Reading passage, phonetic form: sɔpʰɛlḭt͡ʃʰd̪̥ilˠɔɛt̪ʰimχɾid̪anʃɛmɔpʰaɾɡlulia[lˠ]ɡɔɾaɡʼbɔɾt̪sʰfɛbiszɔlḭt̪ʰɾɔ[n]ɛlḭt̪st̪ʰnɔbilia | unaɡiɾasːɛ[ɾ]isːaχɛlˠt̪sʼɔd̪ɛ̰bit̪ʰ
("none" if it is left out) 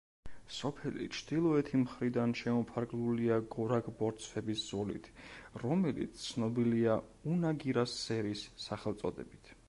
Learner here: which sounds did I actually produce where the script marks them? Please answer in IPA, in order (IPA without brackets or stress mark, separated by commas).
none, m, ɾ